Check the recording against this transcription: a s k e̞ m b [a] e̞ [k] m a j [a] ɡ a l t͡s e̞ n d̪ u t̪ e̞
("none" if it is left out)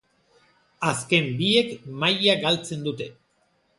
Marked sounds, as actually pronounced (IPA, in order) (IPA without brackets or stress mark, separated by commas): i, k, a